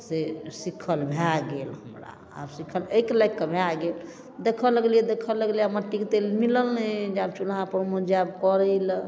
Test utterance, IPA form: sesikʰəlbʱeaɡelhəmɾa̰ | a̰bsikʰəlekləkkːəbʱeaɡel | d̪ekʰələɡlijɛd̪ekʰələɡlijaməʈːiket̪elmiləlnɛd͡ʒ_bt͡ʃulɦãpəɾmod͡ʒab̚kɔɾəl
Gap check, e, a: a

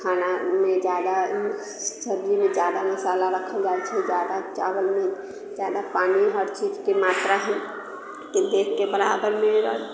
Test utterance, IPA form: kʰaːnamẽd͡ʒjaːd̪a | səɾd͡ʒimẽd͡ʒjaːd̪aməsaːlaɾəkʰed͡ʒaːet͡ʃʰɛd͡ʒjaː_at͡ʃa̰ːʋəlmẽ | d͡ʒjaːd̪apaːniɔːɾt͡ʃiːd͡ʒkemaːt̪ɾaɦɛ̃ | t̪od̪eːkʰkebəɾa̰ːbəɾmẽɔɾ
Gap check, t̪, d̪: d̪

